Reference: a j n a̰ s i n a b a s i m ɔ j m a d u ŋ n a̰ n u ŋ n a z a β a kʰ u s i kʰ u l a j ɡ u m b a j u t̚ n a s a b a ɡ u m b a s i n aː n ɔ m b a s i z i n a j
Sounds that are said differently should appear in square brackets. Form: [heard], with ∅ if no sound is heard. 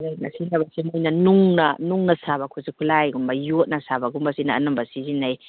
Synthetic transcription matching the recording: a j n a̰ s i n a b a s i m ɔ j [n] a [n] u ŋ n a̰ n u ŋ n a [s] a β a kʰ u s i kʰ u l a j ɡ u m b a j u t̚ n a s a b a ɡ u m b a s i n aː n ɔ m b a s i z i n a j